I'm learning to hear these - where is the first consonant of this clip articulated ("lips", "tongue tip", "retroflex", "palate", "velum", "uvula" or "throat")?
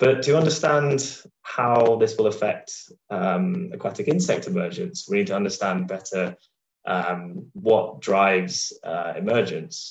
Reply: lips